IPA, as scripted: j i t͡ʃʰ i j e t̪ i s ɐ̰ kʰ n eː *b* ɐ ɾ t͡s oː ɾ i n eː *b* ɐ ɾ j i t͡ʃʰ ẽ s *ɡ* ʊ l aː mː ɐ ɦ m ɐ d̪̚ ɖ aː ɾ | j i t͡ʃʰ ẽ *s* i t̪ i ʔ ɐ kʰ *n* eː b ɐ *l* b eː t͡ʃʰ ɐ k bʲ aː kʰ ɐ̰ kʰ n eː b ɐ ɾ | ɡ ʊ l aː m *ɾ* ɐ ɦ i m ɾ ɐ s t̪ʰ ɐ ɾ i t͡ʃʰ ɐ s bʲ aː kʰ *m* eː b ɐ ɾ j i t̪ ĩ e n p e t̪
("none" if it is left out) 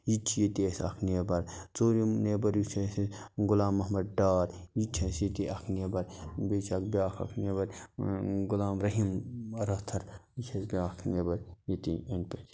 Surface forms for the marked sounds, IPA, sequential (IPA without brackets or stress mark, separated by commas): b, b, ɡ, s, n, ɾ, ɾ, n